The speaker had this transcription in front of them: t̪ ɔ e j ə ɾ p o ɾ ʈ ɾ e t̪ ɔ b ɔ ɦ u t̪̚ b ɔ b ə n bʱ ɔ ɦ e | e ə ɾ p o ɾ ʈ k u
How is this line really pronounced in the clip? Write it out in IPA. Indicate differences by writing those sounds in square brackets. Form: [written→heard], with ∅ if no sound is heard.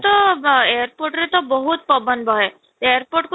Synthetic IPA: t̪ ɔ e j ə ɾ p o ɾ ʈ ɾ e t̪ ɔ b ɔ ɦ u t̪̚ [b→p] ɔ b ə n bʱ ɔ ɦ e | e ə ɾ p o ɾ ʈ k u